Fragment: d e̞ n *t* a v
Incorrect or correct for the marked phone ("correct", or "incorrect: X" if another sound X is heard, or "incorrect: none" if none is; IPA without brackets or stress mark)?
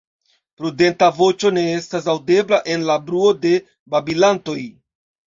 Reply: correct